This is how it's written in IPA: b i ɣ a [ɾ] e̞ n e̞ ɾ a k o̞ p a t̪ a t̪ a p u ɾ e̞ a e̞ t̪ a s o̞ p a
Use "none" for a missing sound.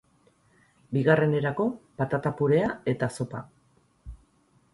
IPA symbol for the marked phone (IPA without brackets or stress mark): r